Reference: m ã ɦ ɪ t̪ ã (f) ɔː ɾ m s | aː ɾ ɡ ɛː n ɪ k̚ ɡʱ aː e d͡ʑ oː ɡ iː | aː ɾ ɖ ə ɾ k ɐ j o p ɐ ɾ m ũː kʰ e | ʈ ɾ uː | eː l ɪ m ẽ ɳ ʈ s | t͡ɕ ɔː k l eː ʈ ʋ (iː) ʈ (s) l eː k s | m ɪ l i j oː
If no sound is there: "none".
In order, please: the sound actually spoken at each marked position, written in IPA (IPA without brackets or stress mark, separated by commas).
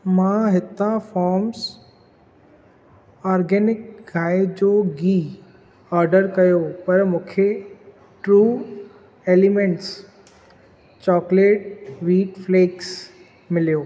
f, iː, f